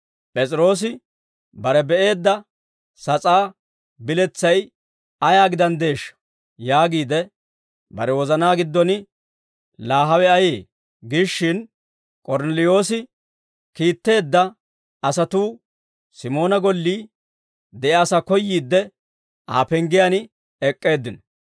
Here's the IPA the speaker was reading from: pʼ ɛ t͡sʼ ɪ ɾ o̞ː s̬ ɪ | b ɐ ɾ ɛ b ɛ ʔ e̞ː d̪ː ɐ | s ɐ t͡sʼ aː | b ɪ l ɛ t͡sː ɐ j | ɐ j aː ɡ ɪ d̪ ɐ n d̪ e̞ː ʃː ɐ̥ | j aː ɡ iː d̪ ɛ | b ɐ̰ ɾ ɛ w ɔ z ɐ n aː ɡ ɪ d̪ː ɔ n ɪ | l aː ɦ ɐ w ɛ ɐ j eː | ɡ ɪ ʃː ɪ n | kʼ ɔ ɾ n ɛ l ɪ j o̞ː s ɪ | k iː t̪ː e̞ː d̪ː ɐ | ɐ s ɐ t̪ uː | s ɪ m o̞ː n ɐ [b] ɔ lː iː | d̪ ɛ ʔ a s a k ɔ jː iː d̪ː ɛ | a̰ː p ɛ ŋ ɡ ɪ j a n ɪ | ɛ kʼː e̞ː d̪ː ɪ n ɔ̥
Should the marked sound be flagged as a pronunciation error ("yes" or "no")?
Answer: yes